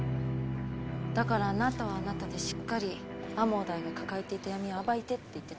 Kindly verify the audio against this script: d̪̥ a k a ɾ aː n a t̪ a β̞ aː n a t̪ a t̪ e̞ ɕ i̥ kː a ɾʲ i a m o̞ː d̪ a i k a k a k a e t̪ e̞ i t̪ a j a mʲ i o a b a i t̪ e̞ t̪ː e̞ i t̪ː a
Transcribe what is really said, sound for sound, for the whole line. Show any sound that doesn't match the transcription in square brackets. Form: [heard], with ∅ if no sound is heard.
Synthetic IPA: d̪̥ a k a ɾ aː n a t̪ a β̞ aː n a t̪ a [d̪] e̞ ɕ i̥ kː a ɾʲ i a m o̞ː d̪ a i [ɡ] a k a k a e t̪ e̞ i t̪ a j a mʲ i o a b a i t̪ e̞ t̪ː e̞ i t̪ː [e]